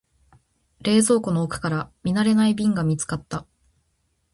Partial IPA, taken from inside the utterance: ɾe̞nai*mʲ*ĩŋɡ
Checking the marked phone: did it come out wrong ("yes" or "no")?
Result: yes